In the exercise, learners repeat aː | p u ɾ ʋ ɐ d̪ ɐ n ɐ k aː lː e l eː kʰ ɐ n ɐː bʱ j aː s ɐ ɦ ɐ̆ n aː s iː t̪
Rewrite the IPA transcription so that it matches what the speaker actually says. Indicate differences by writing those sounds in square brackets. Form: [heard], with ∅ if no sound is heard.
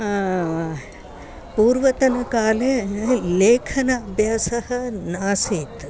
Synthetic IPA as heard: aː | p [uː] ɾ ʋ ɐ [t̪] ɐ n ɐ k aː [l] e l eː kʰ ɐ n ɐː bʱ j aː s ɐ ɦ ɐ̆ n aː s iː t̪